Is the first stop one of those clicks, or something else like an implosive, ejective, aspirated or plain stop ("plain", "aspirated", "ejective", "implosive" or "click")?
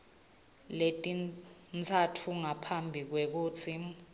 ejective